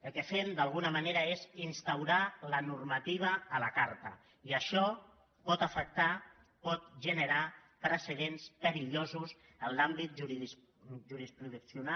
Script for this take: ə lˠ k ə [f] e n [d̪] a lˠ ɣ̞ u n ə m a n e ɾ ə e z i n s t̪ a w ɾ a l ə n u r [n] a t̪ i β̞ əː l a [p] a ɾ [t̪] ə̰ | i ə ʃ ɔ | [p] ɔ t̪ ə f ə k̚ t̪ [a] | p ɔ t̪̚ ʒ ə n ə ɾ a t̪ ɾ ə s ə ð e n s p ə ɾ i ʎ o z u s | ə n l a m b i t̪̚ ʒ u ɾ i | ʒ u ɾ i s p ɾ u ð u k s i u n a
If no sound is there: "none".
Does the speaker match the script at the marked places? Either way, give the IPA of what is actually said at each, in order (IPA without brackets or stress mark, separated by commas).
f, d̪, m, k, t̪, p, a